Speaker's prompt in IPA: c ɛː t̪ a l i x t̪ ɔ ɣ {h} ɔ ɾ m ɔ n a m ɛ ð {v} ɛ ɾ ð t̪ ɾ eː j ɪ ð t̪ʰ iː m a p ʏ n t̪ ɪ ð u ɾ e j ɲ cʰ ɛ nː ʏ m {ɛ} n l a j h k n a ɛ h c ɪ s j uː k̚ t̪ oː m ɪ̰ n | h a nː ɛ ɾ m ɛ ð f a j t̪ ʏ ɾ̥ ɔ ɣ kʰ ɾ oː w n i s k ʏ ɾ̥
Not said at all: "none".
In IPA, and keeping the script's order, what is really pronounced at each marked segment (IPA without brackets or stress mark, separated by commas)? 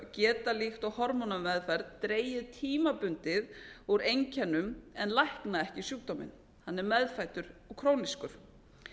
h, f, ɛ